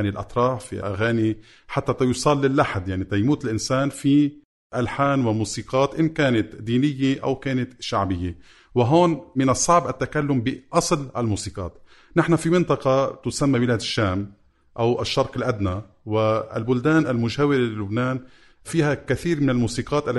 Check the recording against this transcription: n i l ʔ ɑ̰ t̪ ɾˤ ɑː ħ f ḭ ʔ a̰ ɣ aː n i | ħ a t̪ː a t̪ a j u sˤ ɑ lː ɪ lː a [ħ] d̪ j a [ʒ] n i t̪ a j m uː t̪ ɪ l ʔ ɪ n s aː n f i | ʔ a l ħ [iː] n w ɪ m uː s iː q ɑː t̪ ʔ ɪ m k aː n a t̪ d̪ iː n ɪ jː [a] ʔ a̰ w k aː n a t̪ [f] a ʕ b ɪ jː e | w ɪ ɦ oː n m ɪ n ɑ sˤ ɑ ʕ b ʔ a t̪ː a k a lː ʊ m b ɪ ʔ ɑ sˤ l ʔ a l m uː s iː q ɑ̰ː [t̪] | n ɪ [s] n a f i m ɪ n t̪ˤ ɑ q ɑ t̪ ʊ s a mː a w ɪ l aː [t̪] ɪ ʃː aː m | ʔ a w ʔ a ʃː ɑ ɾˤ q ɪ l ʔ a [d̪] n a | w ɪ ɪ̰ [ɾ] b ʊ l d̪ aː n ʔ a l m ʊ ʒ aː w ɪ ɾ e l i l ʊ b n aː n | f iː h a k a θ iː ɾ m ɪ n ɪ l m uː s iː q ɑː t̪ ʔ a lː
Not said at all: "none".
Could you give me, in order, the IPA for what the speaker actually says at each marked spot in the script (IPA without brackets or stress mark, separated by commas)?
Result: ħ, ʕ, aː, e, ʃ, t̪, ħ, d̪, d̪, l